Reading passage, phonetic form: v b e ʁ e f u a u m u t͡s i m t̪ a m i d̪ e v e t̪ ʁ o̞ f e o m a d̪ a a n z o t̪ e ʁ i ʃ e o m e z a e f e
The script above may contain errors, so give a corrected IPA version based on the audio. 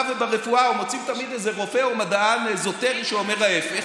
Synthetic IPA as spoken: v b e ʁ e f u a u m o t͡s i m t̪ a m i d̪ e z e ʁ o̞ f e o m a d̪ a a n z o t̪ e ʁ i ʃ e o m e ʁ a e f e